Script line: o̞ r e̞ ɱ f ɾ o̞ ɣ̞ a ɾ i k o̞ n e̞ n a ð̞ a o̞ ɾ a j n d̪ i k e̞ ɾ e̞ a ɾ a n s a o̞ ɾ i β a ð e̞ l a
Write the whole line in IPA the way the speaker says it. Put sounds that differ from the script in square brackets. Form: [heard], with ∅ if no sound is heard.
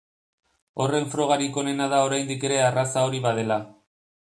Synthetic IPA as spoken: o̞ r e̞ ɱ f ɾ o̞ ɣ̞ a ɾ i k o̞ n e̞ n a ð̞ a o̞ ɾ a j n d̪ i k e̞ ɾ e̞ a [r] a [∅] s a o̞ ɾ i β a ð e̞ l a